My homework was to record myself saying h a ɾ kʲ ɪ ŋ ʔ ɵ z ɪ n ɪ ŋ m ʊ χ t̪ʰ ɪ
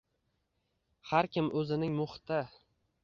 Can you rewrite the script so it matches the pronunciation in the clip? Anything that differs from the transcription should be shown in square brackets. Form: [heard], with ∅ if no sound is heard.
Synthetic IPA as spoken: h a ɾ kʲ ɪ [m] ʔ ɵ z ɪ n ɪ ŋ m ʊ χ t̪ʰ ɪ